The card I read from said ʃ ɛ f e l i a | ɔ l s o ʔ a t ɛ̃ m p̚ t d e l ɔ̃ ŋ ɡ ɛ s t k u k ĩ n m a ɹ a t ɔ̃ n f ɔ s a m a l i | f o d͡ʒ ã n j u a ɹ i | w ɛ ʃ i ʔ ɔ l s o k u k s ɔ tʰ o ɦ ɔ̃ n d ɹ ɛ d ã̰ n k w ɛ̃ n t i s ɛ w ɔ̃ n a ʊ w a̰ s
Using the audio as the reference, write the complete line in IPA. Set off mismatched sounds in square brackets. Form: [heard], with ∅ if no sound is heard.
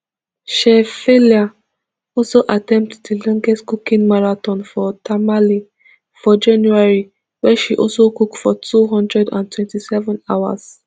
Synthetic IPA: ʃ ɛ f e l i a | ɔ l s o ʔ a t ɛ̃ m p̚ t d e l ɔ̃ ŋ ɡ ɛ s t k u k ĩ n m a ɹ a t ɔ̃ n f ɔ [t] a m a l i | f [ɔ] d͡ʒ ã n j u a ɹ i | w ɛ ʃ i ʔ ɔ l s o k u k [f] ɔ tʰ [u] ɦ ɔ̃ n d ɹ ɛ d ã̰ n [t] w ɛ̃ n t i s ɛ [v] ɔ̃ n a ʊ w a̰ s